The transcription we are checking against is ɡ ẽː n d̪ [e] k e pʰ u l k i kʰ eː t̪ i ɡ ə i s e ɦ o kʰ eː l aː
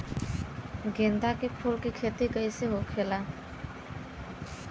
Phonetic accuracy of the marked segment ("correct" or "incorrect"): incorrect